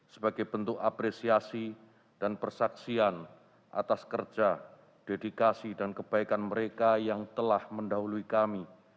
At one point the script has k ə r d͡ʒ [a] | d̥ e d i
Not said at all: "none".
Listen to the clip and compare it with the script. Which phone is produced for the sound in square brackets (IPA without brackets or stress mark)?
a